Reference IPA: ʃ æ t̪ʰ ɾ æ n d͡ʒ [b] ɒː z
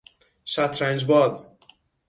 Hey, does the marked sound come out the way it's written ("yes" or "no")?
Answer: yes